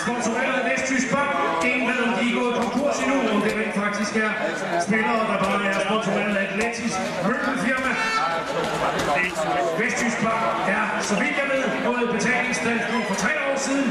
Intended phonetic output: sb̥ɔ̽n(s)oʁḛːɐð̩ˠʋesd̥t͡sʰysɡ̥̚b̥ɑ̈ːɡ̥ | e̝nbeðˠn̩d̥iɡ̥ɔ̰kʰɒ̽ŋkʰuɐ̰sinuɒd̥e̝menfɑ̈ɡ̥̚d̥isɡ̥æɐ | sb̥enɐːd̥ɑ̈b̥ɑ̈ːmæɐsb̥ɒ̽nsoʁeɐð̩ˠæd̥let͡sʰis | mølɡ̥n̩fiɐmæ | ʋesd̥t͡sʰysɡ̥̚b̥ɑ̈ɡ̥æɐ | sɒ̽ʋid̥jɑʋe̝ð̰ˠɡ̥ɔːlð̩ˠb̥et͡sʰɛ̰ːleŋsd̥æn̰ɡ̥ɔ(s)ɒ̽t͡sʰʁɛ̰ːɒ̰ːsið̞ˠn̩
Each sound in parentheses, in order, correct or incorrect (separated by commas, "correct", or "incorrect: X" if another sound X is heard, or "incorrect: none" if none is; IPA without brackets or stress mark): correct, incorrect: f